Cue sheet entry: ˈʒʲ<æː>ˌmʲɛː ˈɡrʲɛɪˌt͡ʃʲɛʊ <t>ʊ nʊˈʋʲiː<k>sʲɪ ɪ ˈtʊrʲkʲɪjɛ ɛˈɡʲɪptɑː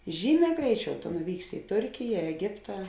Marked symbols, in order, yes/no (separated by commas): no, yes, yes